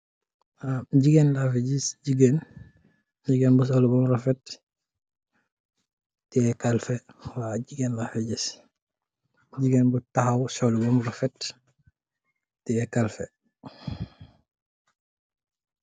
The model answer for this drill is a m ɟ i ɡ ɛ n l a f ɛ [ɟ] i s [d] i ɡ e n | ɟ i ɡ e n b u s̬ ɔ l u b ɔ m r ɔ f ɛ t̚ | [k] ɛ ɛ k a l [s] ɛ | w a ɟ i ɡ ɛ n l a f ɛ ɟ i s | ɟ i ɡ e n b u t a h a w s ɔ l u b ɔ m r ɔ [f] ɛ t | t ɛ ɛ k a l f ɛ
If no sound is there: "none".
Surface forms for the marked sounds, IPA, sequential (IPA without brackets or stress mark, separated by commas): ɟ, ɟ, t, f, f